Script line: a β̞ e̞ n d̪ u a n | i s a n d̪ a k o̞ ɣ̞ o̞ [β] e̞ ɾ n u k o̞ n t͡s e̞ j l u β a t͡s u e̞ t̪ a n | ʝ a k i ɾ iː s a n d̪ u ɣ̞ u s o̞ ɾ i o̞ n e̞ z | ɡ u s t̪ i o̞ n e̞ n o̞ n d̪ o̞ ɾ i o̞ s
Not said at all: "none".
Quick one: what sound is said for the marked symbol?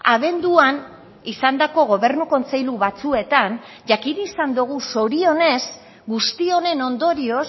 β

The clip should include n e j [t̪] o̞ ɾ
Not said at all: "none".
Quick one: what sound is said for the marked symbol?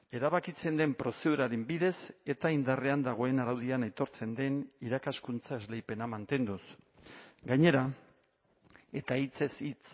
t̪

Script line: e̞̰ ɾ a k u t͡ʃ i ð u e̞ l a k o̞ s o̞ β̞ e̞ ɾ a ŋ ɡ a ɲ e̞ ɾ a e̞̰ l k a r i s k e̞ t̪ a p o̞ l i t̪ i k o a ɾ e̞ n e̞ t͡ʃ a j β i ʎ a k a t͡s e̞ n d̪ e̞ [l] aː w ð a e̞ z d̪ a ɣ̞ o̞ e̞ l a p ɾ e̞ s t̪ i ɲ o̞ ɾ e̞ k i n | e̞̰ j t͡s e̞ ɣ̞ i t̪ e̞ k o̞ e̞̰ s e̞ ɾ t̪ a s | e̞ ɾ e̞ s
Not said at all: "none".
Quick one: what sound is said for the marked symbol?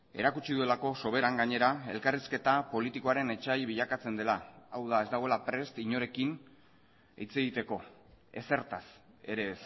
l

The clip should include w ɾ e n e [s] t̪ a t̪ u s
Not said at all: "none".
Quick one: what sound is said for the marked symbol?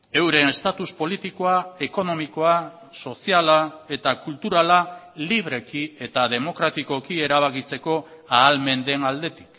s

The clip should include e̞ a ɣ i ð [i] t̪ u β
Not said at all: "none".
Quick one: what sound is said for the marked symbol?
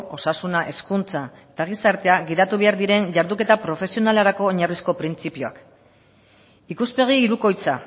a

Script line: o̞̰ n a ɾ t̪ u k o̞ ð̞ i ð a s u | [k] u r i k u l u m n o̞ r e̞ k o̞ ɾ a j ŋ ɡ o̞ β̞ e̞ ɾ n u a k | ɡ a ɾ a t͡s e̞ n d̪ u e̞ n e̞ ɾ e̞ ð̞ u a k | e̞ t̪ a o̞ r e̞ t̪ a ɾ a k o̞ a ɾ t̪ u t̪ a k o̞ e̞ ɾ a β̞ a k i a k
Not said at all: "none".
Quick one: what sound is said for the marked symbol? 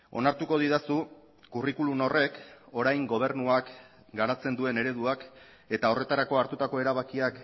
k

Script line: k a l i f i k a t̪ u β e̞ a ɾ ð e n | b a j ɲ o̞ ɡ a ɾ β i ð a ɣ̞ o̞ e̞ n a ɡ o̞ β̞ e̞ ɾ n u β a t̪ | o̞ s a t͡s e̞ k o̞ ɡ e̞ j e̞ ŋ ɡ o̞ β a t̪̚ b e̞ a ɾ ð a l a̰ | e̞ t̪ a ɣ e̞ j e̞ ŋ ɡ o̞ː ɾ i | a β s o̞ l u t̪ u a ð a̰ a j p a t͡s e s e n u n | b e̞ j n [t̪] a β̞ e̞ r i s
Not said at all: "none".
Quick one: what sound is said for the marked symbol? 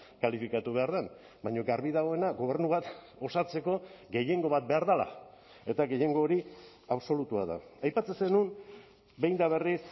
d̪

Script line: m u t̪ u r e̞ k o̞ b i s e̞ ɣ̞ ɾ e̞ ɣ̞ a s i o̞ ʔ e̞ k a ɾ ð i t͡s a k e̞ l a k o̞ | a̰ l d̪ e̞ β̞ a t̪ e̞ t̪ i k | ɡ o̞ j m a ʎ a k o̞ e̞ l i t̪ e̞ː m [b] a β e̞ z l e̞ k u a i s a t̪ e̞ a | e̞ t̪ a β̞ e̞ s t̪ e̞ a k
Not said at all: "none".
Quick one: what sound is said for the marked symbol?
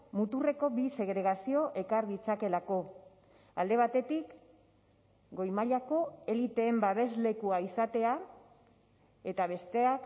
b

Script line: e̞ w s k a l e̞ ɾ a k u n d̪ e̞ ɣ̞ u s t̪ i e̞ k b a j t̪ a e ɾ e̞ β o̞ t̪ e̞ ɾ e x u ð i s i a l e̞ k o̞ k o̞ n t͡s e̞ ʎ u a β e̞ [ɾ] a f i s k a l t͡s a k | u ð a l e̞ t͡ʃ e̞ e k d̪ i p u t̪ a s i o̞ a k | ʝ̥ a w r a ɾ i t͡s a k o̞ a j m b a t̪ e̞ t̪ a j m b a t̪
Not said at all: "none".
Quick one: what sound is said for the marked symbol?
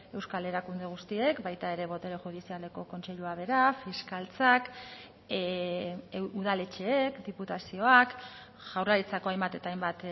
ɾ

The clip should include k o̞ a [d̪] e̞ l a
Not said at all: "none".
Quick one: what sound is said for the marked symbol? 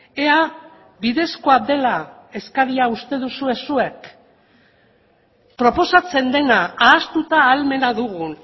d̪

